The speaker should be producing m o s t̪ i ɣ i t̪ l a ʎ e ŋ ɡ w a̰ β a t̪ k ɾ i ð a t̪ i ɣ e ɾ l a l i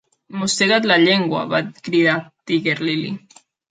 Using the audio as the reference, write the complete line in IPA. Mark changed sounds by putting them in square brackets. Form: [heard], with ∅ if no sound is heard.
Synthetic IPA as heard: m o s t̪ [e] ɣ [a] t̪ l a ʎ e ŋ ɡ w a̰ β a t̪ k ɾ i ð a t̪ i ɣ e ɾ l [i] l i